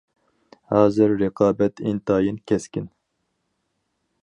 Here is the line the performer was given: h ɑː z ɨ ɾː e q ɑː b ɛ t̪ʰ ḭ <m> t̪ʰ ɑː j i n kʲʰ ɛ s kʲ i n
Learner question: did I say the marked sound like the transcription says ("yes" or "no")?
no